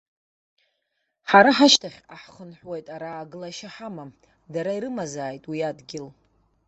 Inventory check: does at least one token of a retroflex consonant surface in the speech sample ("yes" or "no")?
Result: no